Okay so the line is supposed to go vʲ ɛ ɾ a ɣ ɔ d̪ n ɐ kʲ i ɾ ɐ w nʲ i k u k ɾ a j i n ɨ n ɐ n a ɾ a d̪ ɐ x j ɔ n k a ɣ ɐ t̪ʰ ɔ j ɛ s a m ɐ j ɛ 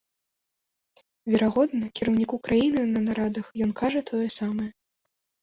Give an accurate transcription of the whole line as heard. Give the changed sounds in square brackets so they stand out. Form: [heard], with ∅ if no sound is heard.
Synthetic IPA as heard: vʲ ɛ ɾ a ɣ ɔ d̪ n ɐ kʲ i ɾ ɐ w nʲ i k u k ɾ a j i n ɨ n ɐ n a ɾ a d̪ ɐ x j ɔ n k a [ʐ] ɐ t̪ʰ ɔ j ɛ s a m ɐ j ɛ